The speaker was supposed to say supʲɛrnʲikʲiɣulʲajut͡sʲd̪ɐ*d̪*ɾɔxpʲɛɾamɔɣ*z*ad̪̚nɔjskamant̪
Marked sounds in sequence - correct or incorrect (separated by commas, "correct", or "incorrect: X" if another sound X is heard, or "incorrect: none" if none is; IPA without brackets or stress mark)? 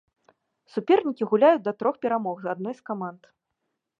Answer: incorrect: t̪, correct